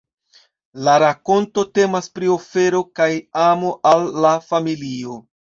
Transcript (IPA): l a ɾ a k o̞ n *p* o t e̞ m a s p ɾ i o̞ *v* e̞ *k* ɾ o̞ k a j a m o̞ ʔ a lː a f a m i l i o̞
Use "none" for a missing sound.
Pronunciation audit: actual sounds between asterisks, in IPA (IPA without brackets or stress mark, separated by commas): t, f, none